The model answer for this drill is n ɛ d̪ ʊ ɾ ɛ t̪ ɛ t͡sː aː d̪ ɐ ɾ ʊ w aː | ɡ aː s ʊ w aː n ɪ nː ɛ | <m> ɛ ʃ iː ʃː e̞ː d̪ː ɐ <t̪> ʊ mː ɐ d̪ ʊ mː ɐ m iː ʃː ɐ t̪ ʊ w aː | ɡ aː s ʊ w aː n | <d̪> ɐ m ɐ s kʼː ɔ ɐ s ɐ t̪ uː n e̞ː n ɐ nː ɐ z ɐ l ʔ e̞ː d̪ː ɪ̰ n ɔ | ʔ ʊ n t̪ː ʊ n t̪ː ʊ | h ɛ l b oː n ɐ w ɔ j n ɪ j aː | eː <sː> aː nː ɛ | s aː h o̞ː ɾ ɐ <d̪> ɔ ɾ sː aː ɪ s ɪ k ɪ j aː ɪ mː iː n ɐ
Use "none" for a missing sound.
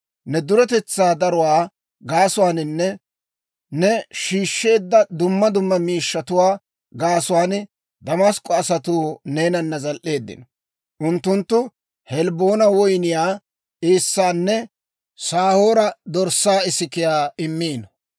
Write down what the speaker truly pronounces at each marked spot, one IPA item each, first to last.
n, d̪, d̪, sː, d̪

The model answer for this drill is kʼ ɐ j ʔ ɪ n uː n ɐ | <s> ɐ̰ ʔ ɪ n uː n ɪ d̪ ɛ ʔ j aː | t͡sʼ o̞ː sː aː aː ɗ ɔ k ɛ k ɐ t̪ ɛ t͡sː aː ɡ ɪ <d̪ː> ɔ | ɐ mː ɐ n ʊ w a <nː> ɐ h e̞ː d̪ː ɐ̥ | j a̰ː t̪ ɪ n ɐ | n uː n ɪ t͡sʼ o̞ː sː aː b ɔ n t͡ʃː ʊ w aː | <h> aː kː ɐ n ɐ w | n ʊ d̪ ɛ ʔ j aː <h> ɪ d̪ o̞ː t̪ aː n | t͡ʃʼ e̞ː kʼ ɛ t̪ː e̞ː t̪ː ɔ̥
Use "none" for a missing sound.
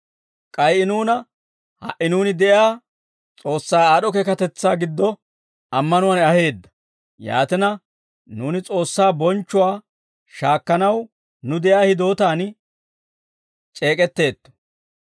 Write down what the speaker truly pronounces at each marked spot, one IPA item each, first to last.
h, d̪ː, n, ʃ, h

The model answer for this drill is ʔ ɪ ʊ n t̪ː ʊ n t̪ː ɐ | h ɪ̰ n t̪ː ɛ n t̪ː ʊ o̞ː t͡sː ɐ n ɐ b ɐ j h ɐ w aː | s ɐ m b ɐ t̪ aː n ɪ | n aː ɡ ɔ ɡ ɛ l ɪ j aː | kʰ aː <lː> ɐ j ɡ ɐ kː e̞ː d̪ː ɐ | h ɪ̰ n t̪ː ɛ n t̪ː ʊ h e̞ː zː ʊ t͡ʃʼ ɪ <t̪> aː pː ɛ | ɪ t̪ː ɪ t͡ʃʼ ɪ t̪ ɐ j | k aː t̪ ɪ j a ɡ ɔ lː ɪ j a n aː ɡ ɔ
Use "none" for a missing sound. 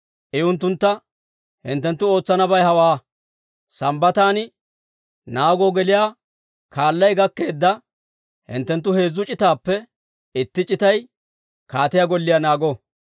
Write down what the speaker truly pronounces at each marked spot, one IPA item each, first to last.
lː, t̪

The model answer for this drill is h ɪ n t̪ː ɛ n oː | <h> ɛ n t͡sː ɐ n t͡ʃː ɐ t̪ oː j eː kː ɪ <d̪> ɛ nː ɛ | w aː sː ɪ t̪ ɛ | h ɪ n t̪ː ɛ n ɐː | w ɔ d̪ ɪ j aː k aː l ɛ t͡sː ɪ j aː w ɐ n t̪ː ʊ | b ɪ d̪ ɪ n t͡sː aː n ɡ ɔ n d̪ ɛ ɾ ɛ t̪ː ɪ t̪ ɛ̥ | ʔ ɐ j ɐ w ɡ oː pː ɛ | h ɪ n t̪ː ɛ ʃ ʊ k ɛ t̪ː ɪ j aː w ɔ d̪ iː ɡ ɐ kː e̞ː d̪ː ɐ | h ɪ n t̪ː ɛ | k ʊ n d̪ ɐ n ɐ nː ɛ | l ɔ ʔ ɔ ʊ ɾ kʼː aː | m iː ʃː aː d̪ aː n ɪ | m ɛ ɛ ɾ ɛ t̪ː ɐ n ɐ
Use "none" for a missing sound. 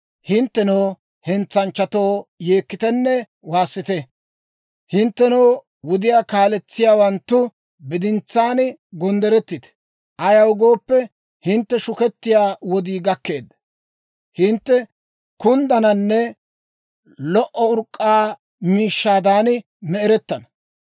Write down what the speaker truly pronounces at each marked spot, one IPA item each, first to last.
h, t̪

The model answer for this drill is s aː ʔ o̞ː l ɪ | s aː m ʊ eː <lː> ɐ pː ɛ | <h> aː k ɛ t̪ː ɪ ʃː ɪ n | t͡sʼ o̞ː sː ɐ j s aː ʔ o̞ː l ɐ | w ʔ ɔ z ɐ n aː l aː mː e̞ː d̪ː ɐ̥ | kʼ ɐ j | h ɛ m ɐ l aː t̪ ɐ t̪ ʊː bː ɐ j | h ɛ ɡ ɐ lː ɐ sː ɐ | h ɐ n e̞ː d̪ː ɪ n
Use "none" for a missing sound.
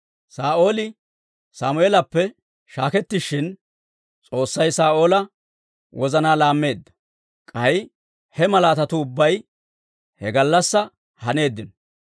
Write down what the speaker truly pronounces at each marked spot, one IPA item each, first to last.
l, ʃ

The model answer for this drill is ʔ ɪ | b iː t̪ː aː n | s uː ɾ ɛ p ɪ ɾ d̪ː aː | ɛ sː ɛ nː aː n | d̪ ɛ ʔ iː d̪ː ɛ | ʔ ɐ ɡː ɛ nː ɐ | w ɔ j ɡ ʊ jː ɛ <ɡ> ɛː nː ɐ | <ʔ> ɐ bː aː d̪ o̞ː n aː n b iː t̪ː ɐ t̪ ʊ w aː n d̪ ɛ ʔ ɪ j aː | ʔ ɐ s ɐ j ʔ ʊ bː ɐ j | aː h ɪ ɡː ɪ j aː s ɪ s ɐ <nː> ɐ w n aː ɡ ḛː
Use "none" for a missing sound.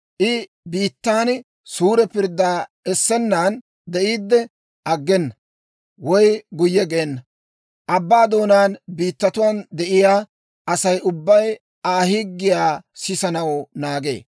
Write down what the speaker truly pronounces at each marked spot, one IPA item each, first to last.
ɡ, ʔ, n

